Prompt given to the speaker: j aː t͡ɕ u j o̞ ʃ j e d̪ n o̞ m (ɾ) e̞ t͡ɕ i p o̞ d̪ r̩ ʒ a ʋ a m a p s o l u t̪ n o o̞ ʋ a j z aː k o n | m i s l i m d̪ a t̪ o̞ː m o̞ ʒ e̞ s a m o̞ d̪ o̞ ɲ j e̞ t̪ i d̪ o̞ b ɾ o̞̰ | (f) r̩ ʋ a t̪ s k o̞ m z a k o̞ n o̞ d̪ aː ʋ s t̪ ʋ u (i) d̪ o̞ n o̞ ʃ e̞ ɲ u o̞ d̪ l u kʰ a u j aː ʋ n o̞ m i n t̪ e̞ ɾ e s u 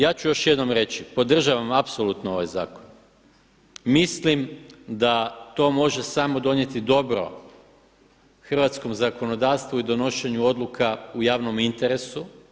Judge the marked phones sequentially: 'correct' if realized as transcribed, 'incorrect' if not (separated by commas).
correct, incorrect, correct